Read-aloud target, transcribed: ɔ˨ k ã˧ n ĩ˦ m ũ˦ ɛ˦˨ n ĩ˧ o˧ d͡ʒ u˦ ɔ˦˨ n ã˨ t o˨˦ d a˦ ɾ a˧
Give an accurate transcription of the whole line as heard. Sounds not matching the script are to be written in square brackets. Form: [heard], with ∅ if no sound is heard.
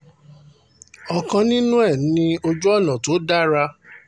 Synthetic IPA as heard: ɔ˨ k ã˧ n ĩ˦ [n] ũ˦ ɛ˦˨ n ĩ˧ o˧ d͡ʒ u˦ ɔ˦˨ n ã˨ t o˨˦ d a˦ ɾ a˧